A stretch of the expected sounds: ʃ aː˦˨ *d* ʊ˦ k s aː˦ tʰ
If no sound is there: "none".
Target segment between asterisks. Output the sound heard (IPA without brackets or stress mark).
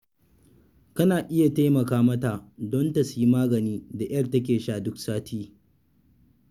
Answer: d